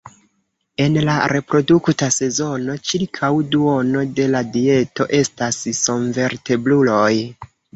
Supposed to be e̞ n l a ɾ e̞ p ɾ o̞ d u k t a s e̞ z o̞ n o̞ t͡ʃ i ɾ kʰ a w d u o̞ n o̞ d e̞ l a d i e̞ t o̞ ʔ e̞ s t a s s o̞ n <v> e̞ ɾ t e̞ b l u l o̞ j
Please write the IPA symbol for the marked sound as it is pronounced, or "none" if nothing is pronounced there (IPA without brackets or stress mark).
v